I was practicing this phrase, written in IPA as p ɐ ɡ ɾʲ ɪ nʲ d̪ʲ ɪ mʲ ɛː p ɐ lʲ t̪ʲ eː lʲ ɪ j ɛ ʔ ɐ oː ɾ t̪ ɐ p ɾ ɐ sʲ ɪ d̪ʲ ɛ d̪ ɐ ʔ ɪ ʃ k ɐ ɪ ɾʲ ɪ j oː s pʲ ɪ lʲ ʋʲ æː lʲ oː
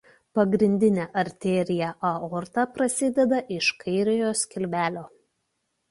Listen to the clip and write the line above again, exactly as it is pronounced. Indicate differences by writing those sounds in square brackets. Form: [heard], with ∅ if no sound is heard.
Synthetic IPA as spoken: p ɐ ɡ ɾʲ ɪ nʲ d̪ʲ ɪ [nʲ] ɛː [ʔ] ɐ [ɾʲ] t̪ʲ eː [ɾʲ] ɪ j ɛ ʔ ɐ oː ɾ t̪ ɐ p ɾ ɐ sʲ ɪ d̪ʲ ɛ d̪ ɐ ʔ ɪ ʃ k ɐ ɪ ɾʲ ɪ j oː s [kʲ] ɪ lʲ ʋʲ æː lʲ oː